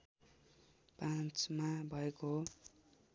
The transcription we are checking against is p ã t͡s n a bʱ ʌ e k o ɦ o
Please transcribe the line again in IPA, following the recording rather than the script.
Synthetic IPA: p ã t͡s m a bʱ ʌ e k o ɦ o